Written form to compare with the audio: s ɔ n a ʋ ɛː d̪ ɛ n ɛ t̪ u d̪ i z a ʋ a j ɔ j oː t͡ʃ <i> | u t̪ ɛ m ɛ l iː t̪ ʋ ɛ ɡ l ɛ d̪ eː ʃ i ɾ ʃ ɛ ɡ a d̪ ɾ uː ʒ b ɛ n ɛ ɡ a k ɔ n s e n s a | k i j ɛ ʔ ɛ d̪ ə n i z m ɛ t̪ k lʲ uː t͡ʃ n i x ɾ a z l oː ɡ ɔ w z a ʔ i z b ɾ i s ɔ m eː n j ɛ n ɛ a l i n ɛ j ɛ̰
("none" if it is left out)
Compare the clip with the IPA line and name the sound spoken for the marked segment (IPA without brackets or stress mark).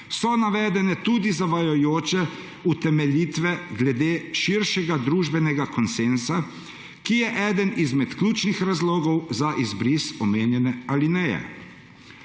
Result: ɛ